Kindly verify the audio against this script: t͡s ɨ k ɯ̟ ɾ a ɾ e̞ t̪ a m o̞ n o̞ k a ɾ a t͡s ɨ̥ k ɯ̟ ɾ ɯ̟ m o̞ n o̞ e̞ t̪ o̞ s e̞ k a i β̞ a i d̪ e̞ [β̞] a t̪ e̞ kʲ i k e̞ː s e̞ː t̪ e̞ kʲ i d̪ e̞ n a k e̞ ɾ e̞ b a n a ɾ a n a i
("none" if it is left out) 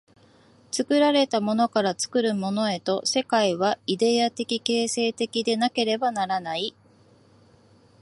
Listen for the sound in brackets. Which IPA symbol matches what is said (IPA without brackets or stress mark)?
none